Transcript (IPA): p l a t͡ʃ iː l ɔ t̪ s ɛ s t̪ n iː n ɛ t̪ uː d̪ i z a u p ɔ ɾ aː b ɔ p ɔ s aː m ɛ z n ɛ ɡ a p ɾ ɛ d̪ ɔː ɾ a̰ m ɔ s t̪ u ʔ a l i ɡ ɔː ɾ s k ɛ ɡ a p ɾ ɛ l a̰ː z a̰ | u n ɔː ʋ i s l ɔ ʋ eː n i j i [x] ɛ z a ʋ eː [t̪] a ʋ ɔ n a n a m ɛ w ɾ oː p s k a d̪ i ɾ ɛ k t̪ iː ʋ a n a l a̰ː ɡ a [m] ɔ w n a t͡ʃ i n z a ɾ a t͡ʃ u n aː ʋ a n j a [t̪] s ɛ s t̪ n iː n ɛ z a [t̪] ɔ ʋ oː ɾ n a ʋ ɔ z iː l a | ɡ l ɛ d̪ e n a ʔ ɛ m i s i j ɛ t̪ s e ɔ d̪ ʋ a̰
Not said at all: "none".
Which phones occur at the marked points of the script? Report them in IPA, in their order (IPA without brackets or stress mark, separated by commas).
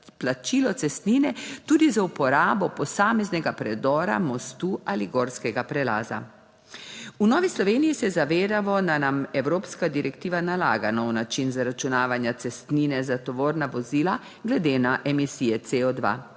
s, d̪, n, t̪, t̪